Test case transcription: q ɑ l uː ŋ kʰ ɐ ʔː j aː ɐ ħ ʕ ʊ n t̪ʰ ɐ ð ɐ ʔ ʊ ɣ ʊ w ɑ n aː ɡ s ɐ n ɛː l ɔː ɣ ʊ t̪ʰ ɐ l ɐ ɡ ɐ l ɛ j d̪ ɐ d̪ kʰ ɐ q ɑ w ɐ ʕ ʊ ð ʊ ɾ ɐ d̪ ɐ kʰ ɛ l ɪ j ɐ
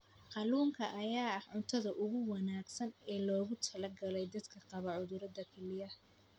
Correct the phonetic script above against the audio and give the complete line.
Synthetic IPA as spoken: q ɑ l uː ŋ kʰ ɐ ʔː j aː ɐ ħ ʕ ʊ n t̪ʰ ɐ ð ɐ ʔ ʊ ɣ ʊ w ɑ n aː ɡ s ɐ n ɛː l ɔː ɣ ʊ t̪ʰ ɐ l ɐ ɡ ɐ l ɛ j d̪ ɐ d̪ kʰ ɐ q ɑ β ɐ ʕ ʊ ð ʊ ɾ ɐ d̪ ɐ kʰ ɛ l ɪ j ɐ